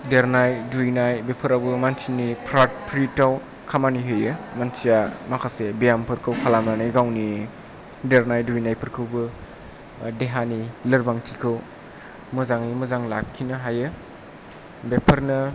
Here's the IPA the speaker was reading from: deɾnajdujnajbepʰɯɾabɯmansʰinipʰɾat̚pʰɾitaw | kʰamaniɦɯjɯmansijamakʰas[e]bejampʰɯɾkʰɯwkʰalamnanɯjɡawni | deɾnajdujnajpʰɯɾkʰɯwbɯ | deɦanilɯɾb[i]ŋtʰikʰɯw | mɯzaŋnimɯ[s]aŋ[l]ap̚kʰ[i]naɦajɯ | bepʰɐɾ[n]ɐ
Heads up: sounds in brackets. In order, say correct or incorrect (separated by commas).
correct, incorrect, incorrect, correct, correct, correct